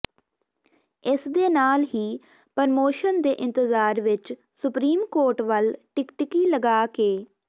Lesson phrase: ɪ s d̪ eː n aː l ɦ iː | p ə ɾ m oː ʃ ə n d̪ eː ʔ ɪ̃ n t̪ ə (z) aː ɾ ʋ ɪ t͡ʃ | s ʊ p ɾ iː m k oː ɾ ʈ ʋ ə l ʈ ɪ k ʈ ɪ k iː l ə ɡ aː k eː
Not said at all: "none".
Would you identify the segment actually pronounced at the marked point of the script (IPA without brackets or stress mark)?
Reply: z